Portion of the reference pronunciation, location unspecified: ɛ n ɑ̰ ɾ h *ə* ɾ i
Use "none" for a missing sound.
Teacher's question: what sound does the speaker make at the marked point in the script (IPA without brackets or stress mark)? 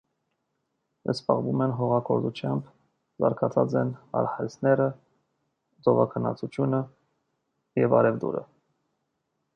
ɑ